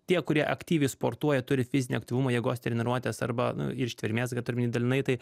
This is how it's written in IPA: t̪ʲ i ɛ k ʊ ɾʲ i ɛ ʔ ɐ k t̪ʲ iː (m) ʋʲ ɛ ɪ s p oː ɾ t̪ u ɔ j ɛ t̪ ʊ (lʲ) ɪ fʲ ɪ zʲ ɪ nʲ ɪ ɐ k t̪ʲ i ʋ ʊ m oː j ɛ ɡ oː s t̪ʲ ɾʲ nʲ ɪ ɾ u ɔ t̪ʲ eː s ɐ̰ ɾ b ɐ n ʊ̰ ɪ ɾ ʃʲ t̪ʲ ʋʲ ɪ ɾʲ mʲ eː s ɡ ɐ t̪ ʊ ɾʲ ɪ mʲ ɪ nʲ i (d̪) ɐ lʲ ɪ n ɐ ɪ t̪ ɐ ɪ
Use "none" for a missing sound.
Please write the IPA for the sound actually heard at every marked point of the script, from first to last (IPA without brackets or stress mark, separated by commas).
none, ɾʲ, d̪